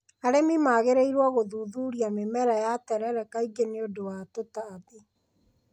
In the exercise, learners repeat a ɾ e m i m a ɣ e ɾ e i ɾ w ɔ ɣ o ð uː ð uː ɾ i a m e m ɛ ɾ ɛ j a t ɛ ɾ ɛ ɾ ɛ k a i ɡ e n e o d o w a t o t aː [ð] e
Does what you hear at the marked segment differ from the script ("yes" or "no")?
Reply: no